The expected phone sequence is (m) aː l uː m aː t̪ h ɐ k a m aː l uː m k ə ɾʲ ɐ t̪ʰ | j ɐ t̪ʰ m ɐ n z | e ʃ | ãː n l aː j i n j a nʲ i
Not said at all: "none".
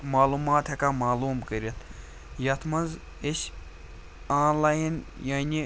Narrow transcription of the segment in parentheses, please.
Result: m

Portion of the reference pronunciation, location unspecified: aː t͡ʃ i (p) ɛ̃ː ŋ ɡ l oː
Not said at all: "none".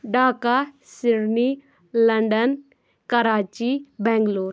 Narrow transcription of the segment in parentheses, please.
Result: b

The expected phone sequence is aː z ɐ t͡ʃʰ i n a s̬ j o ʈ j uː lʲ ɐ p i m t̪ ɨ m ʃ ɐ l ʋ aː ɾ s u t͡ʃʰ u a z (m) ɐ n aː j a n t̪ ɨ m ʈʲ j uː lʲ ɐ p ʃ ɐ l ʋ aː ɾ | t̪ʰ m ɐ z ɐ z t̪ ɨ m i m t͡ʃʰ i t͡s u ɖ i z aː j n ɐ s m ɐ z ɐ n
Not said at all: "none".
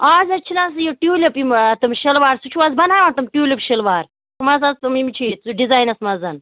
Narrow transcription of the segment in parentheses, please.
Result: b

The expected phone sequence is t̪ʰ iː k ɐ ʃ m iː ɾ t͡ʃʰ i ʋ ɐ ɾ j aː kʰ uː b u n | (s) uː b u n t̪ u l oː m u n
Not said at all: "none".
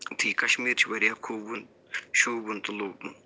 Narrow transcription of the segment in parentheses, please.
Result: ʃ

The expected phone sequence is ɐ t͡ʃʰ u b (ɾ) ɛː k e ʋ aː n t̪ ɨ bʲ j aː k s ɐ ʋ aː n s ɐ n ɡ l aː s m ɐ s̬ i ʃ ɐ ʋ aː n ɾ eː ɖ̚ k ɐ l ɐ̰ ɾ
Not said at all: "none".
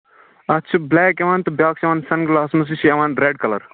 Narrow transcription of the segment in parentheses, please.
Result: l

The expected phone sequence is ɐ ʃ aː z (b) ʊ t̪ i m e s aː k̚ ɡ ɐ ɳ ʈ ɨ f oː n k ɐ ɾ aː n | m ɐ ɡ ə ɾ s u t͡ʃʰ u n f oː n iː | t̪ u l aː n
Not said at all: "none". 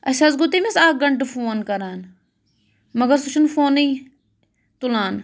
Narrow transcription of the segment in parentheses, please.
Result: ɡ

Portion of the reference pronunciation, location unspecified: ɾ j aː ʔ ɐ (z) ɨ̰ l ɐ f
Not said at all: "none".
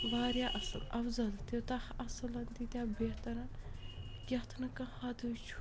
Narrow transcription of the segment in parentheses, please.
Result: s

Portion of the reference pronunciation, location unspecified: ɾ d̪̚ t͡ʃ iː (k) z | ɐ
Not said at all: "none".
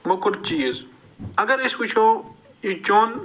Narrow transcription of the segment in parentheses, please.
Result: none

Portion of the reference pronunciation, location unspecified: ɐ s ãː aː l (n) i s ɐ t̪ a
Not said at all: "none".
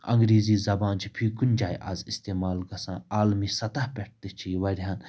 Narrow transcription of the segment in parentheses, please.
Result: m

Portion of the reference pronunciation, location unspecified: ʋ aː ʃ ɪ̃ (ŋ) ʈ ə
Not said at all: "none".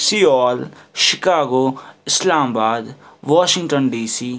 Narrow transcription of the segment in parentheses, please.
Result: ŋ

